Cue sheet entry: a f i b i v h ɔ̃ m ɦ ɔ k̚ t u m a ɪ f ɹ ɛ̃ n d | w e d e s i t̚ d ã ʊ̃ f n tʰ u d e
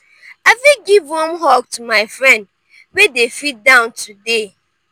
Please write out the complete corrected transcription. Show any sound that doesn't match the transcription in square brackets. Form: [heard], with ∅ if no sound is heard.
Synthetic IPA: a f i [ɡ] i v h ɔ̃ m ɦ ɔ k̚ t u m a ɪ f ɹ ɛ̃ n d | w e d e [f] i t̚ d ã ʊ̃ [∅] n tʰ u d e